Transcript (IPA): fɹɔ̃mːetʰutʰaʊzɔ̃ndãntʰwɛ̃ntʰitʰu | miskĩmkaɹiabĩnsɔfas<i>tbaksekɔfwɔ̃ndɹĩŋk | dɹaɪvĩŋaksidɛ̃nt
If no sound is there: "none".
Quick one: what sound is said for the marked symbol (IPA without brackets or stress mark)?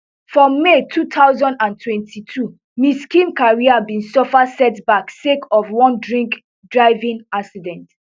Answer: ɛ